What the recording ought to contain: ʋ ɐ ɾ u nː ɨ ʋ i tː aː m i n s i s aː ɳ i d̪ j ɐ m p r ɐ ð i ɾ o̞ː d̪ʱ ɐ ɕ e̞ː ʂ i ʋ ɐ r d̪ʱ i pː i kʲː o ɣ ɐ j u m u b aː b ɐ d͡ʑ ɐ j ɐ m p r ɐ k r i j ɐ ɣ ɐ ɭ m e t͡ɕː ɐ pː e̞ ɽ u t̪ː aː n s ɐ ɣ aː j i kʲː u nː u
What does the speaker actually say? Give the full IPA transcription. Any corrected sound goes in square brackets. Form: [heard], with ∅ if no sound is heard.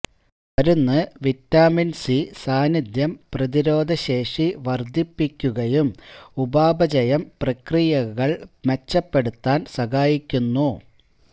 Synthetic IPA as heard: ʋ ɐ ɾ u nː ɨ ʋ i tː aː m i n s i s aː [n] i d̪ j ɐ m p r ɐ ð i ɾ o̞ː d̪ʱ ɐ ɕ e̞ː ʂ i ʋ ɐ r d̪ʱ i pː i kʲː [u] ɣ ɐ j u m u b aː b ɐ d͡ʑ ɐ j ɐ m p r ɐ k r i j ɐ ɣ ɐ ɭ m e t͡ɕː ɐ pː e̞ ɽ u t̪ː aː n s ɐ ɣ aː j i kʲː u nː u